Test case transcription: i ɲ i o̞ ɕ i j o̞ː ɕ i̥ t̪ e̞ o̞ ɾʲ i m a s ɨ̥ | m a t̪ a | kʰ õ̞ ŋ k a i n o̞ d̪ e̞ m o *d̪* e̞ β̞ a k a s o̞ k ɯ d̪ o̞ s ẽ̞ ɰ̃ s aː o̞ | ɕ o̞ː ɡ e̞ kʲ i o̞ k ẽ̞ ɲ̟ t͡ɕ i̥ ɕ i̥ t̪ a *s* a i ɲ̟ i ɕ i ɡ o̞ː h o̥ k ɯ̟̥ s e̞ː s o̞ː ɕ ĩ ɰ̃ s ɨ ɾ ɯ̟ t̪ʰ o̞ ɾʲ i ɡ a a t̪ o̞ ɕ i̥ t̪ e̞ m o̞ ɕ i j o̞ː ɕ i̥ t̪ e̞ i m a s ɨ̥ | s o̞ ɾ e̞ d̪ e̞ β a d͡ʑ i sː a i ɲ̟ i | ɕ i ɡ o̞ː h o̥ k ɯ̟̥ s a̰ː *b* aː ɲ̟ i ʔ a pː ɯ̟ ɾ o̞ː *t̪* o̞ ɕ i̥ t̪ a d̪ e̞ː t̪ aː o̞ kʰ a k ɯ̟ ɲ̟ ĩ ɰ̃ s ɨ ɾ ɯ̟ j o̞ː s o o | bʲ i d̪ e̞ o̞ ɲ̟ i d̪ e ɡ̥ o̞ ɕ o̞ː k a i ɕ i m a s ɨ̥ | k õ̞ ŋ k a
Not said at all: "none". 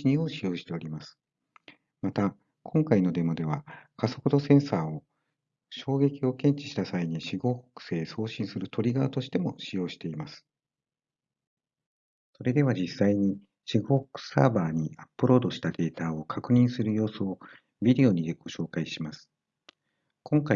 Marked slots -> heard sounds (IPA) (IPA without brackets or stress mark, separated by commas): d̪, s, b, d̪